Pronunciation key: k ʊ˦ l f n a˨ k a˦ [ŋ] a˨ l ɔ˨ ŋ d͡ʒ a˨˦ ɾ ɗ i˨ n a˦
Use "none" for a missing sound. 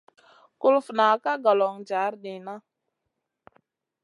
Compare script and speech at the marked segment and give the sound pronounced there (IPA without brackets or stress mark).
ɡ